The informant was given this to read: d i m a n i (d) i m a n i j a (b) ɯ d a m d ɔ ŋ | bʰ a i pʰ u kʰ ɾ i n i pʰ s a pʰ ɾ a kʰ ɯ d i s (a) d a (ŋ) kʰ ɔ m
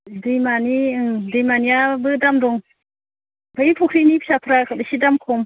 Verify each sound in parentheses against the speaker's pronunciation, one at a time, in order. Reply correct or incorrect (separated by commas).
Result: correct, correct, incorrect, incorrect